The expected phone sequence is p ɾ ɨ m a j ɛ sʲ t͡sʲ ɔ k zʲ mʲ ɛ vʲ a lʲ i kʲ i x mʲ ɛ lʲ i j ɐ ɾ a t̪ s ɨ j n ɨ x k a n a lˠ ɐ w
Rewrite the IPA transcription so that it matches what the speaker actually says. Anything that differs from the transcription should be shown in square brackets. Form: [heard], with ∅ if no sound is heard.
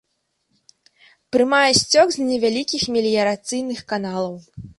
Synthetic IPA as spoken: p ɾ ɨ m a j ɛ sʲ t͡sʲ ɔ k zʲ [nʲ] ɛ vʲ a lʲ i kʲ i x mʲ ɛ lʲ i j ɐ ɾ a t̪ s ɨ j n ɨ x k a n a lˠ ɐ w